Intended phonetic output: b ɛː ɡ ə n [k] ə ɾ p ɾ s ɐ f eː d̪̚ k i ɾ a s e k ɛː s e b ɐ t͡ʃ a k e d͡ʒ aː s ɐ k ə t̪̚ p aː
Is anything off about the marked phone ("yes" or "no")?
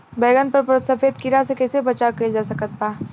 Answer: yes